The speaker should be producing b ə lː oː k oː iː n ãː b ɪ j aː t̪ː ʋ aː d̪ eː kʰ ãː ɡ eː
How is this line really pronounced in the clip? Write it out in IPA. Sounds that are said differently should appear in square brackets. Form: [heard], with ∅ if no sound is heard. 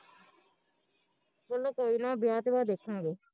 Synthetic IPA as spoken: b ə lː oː k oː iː n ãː b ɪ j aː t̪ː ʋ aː d̪ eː kʰ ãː ɡ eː